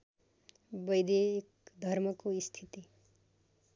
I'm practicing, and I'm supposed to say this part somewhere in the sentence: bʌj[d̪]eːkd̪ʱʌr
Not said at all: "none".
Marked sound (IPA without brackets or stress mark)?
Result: d̪